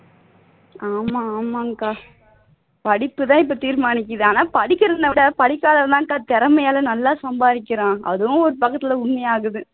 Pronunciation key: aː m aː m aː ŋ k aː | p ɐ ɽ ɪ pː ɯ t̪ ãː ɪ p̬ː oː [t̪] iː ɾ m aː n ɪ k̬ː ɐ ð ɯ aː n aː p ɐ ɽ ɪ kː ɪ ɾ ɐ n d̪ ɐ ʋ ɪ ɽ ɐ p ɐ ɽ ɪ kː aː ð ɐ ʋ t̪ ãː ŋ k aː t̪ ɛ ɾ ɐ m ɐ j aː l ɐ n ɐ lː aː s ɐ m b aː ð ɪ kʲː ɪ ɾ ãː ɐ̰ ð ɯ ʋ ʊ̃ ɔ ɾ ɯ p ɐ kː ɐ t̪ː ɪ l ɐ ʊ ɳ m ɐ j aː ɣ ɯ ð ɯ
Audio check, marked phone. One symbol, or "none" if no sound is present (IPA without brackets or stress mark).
t̪